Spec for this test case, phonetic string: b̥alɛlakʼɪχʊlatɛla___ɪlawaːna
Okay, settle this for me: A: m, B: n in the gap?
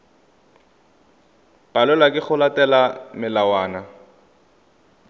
A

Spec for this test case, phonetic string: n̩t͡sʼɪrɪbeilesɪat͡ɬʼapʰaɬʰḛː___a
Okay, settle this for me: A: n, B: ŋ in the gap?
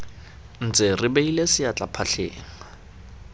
B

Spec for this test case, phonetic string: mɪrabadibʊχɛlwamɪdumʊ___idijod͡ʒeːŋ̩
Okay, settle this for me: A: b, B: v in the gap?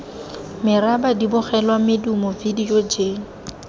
B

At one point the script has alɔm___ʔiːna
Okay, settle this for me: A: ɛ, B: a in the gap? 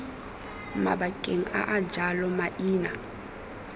B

